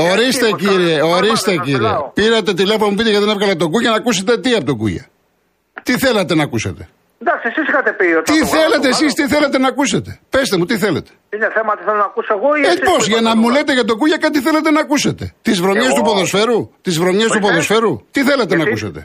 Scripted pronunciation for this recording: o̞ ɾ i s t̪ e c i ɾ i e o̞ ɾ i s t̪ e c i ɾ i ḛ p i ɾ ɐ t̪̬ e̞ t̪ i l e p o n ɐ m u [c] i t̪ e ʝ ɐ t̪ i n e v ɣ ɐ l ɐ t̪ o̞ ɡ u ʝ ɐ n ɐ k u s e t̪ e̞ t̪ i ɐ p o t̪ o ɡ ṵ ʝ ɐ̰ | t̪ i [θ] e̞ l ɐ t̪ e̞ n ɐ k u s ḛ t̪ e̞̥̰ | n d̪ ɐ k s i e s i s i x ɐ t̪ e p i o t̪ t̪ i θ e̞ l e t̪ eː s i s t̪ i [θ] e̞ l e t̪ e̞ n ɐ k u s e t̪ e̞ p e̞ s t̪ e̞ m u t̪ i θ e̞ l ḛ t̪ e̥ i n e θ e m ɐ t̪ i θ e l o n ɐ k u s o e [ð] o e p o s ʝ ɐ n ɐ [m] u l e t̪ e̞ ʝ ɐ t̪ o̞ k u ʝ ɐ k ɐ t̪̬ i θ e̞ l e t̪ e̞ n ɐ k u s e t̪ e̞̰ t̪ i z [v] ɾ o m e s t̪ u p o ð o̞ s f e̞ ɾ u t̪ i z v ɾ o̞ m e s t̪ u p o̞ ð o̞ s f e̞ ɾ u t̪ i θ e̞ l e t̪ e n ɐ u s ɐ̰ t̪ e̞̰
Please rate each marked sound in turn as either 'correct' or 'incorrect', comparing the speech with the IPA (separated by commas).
incorrect, correct, correct, incorrect, correct, correct